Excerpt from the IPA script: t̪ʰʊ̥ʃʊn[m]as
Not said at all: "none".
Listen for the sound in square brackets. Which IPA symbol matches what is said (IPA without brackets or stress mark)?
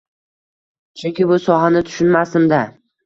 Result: m